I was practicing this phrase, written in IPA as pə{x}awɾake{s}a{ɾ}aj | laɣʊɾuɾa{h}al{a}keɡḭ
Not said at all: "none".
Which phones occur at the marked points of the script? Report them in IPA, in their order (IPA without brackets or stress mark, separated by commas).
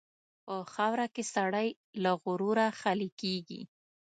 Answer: x, s, ɽ, x, i